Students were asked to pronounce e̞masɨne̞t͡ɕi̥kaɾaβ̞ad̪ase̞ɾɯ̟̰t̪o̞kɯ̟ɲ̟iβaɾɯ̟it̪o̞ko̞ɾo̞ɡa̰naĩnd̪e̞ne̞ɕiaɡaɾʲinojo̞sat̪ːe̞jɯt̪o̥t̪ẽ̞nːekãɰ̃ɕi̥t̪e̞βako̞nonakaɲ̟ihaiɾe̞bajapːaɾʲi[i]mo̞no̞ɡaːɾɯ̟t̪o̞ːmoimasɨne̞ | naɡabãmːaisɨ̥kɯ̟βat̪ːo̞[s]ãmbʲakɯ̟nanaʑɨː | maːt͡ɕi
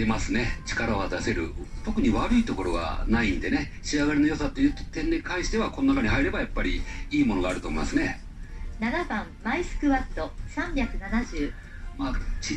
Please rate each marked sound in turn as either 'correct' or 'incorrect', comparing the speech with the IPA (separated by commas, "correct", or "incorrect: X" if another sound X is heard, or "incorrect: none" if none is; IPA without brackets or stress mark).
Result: incorrect: iː, correct